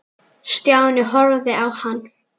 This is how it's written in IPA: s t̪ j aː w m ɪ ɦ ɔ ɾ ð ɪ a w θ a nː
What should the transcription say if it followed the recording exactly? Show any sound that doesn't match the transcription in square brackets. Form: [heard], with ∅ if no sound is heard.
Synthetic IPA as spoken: s t̪ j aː w [n] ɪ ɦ ɔ ɾ ð ɪ a w [h] a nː